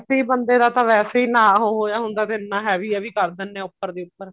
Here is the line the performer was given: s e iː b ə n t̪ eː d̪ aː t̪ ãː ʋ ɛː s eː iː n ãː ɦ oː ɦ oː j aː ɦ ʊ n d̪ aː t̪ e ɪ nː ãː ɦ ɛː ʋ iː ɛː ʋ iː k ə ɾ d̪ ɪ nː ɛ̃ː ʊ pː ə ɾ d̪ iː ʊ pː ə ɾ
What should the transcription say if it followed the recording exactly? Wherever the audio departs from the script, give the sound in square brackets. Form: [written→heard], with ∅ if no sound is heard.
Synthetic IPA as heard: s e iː b ə n [t̪→d̪] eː d̪ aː t̪ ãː ʋ ɛː s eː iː n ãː ɦ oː ɦ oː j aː ɦ ʊ n d̪ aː t̪ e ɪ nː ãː ɦ ɛː ʋ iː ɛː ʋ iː k ə ɾ d̪ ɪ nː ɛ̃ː ʊ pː ə ɾ d̪ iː ʊ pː ə ɾ

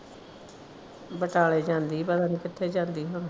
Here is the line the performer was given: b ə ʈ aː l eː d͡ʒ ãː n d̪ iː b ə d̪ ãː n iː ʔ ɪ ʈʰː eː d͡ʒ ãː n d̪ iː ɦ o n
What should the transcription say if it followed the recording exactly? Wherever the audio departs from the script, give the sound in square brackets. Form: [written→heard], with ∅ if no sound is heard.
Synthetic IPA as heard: b ə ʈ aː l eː d͡ʒ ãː n d̪ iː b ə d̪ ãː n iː [ʔ→k] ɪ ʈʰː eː d͡ʒ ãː n d̪ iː ɦ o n

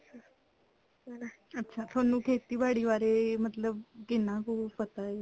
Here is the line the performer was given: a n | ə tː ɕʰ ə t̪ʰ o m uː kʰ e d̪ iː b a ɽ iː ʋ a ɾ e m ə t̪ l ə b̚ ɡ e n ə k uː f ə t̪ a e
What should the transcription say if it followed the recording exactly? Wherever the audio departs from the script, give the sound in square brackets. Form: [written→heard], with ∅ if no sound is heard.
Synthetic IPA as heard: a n | ə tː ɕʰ [ə→a] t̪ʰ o [m→n] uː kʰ e [d̪→t̪] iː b a ɽ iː ʋ a ɾ e m ə t̪ l ə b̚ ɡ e n [ə→a] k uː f ə t̪ a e

